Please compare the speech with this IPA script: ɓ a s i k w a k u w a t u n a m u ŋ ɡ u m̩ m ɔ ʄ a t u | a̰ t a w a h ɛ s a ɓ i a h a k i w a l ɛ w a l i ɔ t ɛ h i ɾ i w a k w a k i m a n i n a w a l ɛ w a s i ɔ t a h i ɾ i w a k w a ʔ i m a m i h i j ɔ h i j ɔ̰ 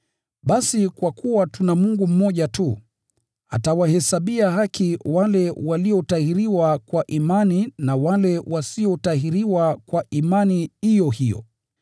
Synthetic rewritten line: ɓ a s i k w a k u w a t u n a m u ŋ ɡ u m̩ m ɔ ʄ a t u | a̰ t a w a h ɛ s a ɓ i a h a k i w a l ɛ w a l i ɔ t a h i ɾ i w a k w a ʔ i m a n i n a w a l ɛ w a s i ɔ t a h i ɾ i w a k w a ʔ i m a n i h i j ɔ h i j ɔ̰